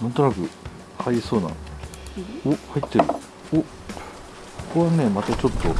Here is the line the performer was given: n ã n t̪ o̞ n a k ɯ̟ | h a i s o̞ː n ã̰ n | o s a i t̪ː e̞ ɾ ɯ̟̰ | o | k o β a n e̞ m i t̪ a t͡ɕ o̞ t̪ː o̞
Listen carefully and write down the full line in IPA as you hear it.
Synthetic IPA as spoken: n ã n t̪ o̞ n a k ɯ̟ | h a i s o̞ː n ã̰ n | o h a i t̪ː e̞ ɾ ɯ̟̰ | o | k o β a n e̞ m a t̪ a t͡ɕ o̞ t̪ː o̞